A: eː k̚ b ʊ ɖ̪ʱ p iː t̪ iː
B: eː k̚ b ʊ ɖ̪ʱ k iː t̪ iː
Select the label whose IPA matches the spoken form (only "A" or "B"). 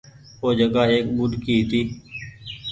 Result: B